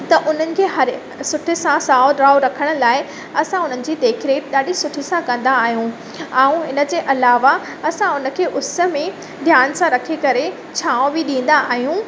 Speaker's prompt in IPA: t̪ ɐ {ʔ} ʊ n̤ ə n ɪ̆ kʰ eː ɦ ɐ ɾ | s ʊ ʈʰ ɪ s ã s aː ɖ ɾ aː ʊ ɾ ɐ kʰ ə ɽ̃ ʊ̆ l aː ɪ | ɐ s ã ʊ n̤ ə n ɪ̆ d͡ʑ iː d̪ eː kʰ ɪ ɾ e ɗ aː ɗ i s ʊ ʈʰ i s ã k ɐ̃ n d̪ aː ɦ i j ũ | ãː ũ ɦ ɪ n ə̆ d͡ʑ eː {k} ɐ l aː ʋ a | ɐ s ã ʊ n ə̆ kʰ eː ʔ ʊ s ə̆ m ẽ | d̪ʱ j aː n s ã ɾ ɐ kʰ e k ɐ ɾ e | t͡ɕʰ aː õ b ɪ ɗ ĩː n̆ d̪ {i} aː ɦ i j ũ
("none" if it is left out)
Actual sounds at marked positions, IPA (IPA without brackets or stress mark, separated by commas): ʔ, ʔ, a